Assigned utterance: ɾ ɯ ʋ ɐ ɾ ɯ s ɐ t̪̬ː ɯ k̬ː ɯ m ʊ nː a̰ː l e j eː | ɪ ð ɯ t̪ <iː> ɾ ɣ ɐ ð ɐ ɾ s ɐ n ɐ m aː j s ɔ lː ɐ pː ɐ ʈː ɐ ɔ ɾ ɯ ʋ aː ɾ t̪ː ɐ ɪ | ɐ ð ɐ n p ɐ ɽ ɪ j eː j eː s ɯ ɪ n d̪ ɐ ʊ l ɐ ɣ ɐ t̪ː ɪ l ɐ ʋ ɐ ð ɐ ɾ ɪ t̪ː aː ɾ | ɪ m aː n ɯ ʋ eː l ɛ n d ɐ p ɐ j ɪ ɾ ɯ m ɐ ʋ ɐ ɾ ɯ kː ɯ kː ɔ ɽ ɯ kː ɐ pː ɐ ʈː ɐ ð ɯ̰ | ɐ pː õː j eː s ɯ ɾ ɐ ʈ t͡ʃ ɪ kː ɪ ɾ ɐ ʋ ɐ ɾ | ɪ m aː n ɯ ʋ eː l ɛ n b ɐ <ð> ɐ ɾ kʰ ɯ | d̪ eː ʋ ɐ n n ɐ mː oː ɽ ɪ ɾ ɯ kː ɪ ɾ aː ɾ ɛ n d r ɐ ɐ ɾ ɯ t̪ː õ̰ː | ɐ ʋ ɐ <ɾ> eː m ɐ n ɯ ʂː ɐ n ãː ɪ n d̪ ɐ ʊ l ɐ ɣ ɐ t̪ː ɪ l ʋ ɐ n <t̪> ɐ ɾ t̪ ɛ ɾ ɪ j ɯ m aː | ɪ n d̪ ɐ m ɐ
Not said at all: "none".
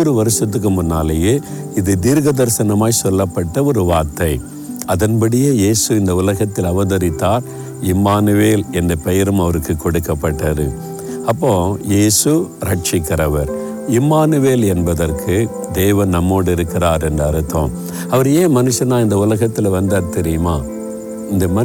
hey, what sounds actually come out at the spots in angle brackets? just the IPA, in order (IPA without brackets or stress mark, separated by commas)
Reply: iː, ð, ɾ, d̪